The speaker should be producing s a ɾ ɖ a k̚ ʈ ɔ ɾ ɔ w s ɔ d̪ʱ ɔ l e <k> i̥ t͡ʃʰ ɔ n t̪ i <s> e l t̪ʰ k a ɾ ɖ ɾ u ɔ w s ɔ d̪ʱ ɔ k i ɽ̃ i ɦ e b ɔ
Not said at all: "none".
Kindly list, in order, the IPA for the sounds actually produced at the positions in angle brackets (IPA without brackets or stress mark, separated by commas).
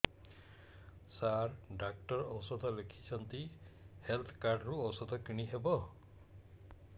kʰ, h